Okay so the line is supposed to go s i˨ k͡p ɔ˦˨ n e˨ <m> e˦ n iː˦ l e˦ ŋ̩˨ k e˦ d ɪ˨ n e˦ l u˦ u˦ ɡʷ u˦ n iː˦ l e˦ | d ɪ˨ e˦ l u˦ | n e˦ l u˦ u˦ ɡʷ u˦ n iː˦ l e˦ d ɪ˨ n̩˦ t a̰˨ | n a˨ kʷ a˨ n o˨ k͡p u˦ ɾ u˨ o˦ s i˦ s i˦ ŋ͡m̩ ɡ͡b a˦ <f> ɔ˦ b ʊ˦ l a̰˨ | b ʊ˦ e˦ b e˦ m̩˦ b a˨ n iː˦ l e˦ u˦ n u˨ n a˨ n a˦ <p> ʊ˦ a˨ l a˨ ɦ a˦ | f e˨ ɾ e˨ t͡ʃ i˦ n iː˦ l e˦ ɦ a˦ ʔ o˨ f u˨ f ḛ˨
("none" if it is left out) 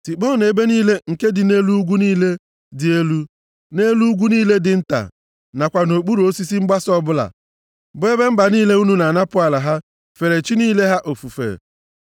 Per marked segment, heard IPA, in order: b, s, p

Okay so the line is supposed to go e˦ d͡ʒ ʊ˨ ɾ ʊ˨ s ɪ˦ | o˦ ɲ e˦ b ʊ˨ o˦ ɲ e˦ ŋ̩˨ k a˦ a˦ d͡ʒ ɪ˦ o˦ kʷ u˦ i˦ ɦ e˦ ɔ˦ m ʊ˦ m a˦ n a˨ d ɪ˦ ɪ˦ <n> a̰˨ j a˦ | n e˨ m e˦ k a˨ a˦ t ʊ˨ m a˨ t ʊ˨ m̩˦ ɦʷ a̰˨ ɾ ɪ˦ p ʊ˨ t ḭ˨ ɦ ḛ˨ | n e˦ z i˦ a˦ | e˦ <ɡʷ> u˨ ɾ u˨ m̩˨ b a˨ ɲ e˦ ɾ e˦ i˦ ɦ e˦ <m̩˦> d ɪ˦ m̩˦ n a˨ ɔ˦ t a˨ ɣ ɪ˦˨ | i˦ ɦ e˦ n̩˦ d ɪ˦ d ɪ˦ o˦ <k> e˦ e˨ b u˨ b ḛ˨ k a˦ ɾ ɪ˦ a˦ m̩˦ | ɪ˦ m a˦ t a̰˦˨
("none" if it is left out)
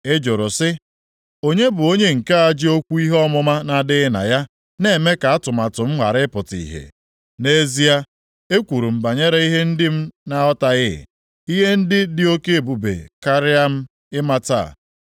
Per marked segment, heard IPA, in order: n, kʷ, n̩˦, k

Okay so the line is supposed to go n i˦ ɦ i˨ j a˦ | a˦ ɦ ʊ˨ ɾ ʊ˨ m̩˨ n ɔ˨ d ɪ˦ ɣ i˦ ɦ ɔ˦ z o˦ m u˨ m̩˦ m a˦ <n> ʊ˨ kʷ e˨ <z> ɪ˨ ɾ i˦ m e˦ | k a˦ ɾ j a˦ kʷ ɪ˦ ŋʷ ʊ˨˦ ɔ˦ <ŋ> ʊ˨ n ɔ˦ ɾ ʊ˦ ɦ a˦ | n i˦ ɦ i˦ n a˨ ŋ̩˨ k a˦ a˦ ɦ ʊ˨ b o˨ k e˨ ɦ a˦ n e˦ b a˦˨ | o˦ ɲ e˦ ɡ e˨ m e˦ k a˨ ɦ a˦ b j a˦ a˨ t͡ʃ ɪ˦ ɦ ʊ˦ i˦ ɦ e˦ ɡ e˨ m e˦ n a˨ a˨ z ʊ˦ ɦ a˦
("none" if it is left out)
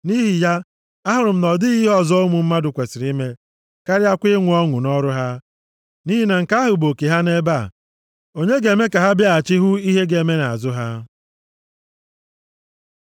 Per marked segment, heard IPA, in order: d, s, ŋ

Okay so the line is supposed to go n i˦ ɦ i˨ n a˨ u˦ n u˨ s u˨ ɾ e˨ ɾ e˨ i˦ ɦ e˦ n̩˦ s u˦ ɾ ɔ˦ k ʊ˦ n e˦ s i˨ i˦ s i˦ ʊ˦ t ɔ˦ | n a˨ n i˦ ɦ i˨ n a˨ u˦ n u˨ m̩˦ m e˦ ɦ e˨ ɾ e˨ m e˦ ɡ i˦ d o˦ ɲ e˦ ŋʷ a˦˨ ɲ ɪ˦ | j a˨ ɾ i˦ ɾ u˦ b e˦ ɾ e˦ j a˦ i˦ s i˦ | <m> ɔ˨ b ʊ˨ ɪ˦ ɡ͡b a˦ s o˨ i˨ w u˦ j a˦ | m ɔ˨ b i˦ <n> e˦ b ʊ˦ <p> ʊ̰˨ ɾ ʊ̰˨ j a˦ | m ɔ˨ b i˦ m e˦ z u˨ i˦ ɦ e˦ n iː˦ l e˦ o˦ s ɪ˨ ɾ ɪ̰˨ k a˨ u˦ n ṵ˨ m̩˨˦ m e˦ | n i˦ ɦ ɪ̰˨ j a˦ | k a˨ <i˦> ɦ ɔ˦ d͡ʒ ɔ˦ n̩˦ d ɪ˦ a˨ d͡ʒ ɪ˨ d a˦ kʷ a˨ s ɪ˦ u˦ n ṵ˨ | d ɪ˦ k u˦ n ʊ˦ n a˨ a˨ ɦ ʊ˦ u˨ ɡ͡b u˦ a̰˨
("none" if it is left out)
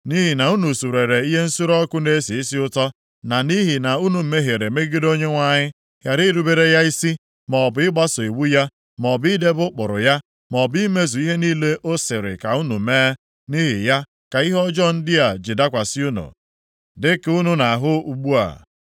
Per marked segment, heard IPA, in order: m, d, k͡p, i˦

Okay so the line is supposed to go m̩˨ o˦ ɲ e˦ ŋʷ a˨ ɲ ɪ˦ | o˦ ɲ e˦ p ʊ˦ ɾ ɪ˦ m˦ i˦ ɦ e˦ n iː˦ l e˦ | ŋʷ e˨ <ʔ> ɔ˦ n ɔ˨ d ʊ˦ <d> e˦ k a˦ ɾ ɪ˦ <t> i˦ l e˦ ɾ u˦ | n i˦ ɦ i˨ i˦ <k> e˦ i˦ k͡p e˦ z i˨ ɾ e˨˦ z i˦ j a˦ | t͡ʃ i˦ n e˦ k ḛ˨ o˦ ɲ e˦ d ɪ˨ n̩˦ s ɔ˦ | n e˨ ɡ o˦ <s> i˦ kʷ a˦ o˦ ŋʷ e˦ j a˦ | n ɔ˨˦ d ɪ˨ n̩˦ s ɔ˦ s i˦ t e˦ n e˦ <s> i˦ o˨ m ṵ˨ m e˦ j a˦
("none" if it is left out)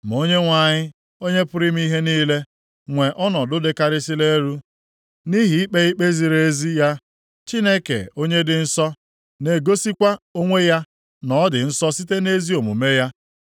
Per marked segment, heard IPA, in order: ʔ, d, s, k͡p, s, z

